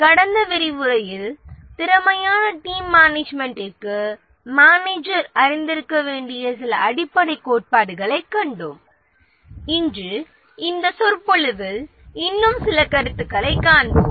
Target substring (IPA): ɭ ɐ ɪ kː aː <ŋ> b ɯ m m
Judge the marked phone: incorrect: ɳ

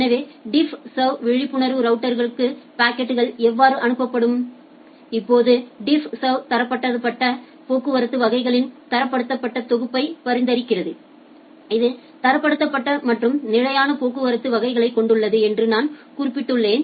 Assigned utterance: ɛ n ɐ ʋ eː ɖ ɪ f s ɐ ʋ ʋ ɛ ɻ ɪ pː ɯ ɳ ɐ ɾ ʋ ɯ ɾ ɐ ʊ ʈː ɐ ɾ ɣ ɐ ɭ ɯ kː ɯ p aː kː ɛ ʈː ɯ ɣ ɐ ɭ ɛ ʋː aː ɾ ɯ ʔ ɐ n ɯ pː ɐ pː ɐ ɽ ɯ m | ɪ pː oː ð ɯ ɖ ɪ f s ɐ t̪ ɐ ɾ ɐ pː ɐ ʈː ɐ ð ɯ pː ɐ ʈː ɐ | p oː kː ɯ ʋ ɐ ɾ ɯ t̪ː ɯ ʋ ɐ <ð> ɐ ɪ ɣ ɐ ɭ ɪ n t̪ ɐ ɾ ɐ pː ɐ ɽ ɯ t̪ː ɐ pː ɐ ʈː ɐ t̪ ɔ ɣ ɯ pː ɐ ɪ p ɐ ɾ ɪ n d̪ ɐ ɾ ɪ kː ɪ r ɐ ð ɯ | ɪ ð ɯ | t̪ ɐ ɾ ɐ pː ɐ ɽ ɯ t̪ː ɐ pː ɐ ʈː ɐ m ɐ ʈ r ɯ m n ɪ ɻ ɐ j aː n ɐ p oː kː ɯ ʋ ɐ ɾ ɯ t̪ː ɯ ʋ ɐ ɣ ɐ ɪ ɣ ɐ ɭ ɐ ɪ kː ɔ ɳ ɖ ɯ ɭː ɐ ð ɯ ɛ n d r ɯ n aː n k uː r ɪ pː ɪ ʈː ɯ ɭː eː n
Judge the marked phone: incorrect: ɣ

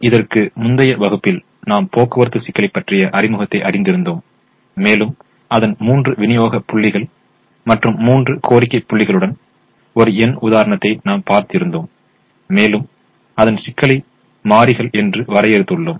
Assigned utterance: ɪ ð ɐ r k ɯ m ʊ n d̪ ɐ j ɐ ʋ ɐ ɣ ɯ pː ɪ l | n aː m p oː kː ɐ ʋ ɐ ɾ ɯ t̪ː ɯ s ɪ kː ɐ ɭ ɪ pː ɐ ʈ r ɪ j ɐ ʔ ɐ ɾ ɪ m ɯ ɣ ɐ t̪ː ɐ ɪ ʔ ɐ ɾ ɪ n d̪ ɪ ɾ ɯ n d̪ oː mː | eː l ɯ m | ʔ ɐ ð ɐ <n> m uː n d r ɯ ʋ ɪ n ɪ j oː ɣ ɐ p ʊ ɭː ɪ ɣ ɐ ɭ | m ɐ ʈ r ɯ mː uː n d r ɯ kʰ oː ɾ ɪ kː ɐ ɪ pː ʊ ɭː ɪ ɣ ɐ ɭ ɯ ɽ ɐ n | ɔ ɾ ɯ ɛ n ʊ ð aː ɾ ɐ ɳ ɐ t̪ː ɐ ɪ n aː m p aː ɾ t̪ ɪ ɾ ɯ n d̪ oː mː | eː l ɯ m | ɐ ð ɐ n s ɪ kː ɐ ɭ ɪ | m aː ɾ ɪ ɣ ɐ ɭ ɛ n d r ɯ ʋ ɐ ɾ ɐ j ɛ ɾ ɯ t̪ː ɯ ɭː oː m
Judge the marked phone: correct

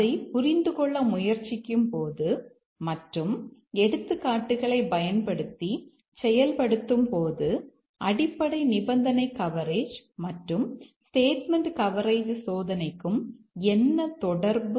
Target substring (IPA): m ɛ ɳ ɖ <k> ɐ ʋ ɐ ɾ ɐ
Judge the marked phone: correct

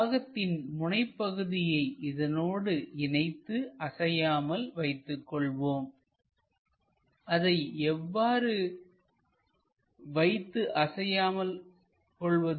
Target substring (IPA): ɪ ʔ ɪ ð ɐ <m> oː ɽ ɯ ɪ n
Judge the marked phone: incorrect: n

